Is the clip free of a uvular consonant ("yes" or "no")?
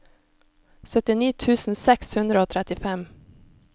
yes